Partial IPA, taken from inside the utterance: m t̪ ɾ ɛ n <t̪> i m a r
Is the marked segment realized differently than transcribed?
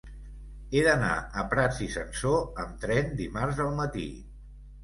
yes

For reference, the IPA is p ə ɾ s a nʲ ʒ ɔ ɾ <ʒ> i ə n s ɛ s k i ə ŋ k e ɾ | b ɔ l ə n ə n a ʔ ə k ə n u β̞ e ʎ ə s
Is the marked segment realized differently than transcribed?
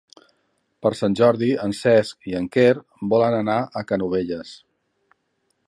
yes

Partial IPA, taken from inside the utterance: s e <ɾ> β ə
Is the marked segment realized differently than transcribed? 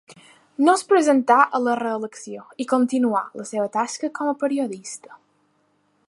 yes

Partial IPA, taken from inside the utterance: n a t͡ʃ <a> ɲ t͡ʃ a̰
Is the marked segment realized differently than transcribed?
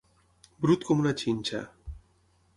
yes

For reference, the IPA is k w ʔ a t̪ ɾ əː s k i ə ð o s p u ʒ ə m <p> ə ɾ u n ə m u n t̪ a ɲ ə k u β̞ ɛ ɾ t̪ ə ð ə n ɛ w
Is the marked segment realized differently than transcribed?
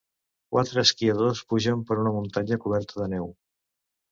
no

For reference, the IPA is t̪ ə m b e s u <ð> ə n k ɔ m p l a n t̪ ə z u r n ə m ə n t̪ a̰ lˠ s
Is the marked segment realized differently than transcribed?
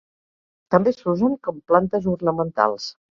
yes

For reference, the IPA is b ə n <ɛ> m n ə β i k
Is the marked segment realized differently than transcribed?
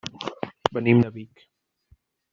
yes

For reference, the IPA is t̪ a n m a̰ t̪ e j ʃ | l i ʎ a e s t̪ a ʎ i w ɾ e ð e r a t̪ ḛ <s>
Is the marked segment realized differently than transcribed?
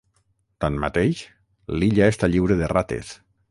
no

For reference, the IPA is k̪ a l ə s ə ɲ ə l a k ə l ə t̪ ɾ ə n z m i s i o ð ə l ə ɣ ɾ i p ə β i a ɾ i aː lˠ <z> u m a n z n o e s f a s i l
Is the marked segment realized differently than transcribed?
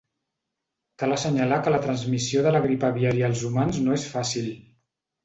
no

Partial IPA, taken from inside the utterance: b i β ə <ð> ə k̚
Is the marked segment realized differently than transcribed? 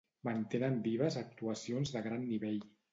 yes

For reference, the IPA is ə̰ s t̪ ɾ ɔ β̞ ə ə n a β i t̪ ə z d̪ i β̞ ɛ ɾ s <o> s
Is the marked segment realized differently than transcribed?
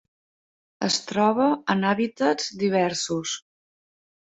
yes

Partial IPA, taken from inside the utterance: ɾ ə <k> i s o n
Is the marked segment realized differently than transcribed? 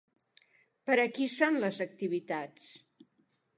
no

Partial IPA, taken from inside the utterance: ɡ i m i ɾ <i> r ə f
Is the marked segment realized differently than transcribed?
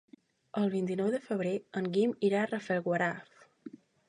yes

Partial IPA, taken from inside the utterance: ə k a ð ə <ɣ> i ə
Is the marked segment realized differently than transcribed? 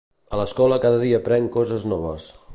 yes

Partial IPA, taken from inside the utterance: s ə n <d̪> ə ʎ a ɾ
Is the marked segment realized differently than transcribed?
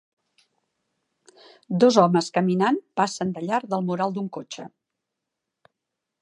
no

